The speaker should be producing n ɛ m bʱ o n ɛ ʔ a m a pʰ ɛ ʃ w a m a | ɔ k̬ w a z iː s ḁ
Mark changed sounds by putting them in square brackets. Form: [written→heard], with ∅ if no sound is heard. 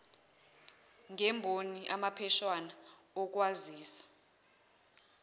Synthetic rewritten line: [n→ŋ] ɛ m bʱ o n [ɛ→i] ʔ a m a pʰ ɛ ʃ w a [m→n] a | ɔ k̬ w a z iː s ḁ